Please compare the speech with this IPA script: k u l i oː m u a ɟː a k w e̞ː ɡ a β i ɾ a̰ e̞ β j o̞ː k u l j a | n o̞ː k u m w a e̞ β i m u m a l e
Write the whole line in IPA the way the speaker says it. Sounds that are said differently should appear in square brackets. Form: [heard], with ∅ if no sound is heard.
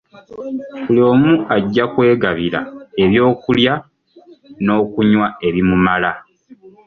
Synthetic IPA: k u l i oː m u a ɟː a k w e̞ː ɡ a β i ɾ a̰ e̞ β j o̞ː k u l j a | n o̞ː k u [ɲ] w a e̞ β i m u m a l [a]